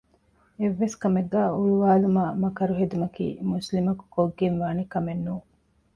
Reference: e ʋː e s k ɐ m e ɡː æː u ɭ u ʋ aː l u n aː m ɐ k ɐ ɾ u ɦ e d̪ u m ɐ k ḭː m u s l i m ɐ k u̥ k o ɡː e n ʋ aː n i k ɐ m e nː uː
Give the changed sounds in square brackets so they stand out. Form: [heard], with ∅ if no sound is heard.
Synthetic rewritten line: e ʋː e s k ɐ m e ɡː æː u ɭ u ʋ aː l u [m] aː m ɐ k ɐ ɾ u ɦ e d̪ u m ɐ k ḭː m u s l i m ɐ k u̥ k o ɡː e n ʋ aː n i k ɐ m e nː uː

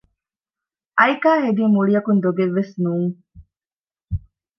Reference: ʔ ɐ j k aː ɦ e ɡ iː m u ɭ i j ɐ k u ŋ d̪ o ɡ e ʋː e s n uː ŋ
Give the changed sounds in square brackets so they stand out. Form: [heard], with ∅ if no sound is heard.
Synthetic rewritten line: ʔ ɐ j k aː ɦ e ɡ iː m u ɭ i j ɐ k u [n] d̪ o ɡ e ʋː e s n uː ŋ

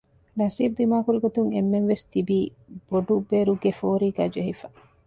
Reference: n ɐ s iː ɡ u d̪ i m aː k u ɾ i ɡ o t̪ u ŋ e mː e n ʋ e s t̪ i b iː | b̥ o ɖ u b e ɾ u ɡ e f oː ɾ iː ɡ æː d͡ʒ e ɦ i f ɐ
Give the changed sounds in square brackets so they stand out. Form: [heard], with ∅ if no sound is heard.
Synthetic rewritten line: n ɐ s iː [b] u d̪ i m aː k u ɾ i ɡ o t̪ u ŋ e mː e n ʋ e s t̪ i b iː | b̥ o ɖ u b e ɾ u ɡ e f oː ɾ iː ɡ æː d͡ʒ e ɦ i f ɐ

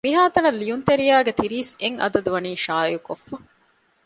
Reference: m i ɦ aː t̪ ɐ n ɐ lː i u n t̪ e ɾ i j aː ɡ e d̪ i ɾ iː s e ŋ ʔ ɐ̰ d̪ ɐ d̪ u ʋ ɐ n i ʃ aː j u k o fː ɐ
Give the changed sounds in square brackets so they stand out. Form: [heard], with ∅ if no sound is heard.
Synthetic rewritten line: m i ɦ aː t̪ ɐ n ɐ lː i u n t̪ e ɾ i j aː ɡ e [t̪] i ɾ iː s e ŋ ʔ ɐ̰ d̪ ɐ d̪ u ʋ ɐ n [iː] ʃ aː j u k o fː ɐ

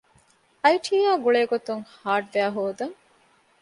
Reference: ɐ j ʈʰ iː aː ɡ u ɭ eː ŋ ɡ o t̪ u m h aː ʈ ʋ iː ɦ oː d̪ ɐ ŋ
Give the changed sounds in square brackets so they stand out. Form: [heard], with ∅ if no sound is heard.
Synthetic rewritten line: ɐ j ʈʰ iː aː ɡ u ɭ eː [∅] ɡ o t̪ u [ŋ] h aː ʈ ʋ [æː] ɦ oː d̪ ɐ ŋ

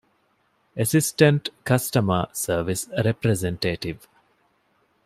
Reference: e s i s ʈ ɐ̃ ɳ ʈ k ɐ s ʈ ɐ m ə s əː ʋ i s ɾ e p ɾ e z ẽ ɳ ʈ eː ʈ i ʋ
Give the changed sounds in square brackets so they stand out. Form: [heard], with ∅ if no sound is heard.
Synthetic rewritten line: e s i s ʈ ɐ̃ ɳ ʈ k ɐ s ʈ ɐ m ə s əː ʋ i s ɾ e p ɾ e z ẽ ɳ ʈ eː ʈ i ʋ

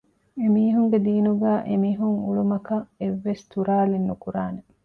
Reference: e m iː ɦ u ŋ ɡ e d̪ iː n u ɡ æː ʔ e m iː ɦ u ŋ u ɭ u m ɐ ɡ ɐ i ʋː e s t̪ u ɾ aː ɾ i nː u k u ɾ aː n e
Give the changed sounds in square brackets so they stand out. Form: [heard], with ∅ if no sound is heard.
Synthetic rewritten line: e m iː ɦ u ŋ ɡ e d̪ iː n u ɡ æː ʔ e m iː ɦ u ŋ u ɭ u m ɐ [k] ɐ [e] ʋː e s t̪ u ɾ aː [l] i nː u k u ɾ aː n e

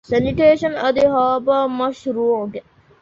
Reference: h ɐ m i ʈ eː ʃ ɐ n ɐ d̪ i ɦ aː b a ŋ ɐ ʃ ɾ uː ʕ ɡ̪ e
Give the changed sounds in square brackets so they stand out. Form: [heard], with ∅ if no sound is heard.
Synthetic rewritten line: [s] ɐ [n] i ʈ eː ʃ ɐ n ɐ d̪ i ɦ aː b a [m] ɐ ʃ ɾ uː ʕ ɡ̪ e

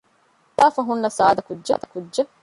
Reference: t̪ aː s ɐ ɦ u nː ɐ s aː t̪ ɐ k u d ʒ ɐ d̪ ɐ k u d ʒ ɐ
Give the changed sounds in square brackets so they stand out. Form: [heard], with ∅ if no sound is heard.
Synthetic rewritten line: t̪ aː [f] ɐ ɦ u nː ɐ s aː [d̪] ɐ k u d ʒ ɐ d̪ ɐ k u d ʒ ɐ

